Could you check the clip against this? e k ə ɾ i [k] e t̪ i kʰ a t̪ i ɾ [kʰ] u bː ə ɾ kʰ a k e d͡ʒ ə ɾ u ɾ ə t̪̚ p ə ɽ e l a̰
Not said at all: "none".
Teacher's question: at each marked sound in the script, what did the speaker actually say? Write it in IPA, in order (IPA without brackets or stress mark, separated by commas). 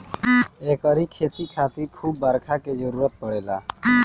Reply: kʰ, kʰ